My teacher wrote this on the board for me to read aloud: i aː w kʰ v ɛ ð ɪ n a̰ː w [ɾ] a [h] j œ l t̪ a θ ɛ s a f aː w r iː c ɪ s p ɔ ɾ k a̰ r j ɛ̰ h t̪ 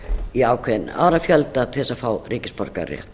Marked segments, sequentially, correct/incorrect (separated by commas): correct, incorrect